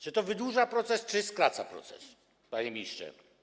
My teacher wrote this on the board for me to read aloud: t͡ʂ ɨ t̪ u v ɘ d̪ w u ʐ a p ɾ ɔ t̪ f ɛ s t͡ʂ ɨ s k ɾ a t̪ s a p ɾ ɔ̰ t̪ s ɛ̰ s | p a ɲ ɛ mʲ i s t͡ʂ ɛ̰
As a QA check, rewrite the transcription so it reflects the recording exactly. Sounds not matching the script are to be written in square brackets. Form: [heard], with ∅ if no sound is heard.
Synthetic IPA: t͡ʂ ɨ t̪ [ɔ] v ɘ d̪ w u ʐ a p ɾ ɔ t̪ [s] ɛ s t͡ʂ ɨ s k ɾ a t̪ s a p ɾ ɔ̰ t̪ s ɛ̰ s | p a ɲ ɛ mʲ i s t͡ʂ ɛ̰